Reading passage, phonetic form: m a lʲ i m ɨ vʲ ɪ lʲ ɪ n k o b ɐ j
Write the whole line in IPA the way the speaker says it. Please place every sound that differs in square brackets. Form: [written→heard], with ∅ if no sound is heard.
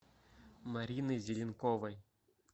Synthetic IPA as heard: m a [lʲ→ɾʲ] i [m→n] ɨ [vʲ→zʲ] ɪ lʲ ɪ n k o [b→v] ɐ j